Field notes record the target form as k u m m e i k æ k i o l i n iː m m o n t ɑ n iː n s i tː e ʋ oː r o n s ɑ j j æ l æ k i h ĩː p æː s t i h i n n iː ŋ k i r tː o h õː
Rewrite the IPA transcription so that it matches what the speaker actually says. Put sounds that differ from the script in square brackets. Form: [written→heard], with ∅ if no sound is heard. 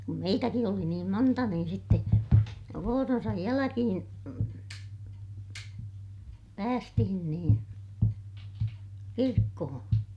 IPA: k u m m e i [k→t] æ k i o l i n iː m m o n t ɑ n iː n s i tː e ʋ oː r o n s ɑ j j æ l æ k i h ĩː p æː s t i h i n n iː [ŋ→n] k i r [tː→kː] o h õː